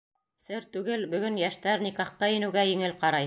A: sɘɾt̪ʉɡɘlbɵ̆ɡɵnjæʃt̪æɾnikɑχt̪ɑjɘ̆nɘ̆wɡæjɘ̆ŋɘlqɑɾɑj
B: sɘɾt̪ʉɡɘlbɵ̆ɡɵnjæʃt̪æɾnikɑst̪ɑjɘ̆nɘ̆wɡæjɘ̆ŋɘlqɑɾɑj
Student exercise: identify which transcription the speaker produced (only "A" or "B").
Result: A